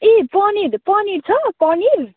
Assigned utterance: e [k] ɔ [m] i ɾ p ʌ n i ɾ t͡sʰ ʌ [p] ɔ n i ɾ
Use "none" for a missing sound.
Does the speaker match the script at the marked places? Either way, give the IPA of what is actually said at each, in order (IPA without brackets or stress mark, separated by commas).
p, n, k